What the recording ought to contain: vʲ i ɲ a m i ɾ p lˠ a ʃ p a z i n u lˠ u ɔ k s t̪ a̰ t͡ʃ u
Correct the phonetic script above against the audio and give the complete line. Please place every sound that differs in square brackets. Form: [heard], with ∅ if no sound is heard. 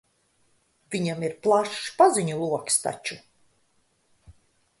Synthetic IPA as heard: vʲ i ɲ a m i ɾ p lˠ a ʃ p a z i [ɲ] u lˠ u ɔ k s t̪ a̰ t͡ʃ u